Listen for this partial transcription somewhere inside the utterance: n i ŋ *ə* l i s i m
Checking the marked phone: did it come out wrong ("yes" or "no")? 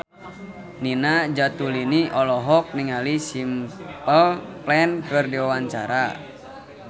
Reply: yes